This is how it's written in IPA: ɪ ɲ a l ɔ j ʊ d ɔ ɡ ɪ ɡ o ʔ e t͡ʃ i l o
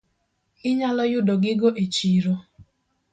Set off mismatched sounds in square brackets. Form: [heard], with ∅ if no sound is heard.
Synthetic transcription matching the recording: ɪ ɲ a l ɔ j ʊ d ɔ ɡ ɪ ɡ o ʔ e t͡ʃ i [ɾ] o